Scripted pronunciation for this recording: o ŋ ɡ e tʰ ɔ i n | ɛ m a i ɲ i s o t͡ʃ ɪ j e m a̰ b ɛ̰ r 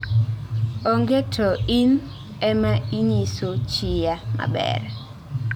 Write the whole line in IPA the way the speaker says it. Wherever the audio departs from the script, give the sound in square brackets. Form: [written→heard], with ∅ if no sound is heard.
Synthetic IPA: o ŋ ɡ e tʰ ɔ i n | ɛ m a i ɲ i s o t͡ʃ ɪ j [e→a] m a̰ b ɛ̰ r